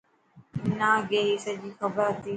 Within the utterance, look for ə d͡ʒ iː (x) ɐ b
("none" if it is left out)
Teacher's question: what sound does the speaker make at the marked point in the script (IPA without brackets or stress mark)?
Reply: x